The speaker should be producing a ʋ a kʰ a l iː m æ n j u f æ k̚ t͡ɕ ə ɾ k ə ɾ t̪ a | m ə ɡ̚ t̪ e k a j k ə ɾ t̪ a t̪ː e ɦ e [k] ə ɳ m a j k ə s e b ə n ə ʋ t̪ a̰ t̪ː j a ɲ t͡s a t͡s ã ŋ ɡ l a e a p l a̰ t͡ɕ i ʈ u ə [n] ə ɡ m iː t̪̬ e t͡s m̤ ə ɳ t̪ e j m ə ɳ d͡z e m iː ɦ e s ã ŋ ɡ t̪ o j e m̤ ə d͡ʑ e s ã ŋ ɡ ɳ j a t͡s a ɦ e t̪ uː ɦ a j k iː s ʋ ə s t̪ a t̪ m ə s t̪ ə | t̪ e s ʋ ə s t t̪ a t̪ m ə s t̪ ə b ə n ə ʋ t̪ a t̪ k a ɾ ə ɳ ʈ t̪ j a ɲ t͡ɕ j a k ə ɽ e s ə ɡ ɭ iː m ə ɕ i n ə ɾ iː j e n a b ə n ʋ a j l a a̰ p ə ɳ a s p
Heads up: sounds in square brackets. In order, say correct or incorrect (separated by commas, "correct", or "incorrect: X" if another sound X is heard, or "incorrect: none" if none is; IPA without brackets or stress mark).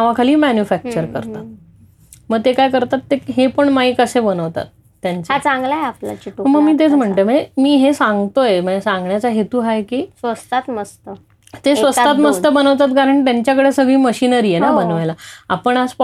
incorrect: p, incorrect: m